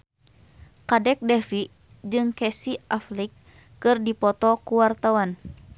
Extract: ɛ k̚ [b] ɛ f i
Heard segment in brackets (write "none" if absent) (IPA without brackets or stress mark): d